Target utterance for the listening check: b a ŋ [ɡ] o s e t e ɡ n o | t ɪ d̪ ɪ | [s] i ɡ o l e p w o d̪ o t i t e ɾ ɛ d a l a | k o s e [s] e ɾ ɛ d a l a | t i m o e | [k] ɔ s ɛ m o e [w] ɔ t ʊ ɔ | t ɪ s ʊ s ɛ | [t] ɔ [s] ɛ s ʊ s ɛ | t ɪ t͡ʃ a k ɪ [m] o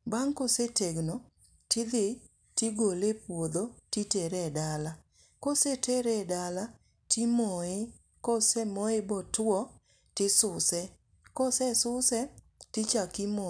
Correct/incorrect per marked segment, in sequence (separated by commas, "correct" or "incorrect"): incorrect, incorrect, incorrect, correct, incorrect, incorrect, correct, correct